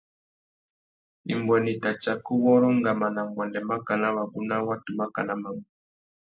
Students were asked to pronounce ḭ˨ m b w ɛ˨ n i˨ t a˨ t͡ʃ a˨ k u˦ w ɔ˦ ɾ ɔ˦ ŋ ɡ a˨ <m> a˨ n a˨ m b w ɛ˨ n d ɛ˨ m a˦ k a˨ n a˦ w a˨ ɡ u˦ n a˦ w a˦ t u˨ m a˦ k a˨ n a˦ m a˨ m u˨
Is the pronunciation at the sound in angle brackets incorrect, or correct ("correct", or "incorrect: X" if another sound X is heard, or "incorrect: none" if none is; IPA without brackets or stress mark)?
correct